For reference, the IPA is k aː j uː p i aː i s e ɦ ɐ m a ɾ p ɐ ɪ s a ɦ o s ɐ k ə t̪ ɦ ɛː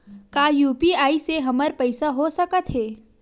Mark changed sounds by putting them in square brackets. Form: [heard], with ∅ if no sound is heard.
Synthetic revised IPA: k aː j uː p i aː i s e ɦ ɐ m [ə] ɾ p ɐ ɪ s a ɦ o s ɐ k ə t̪ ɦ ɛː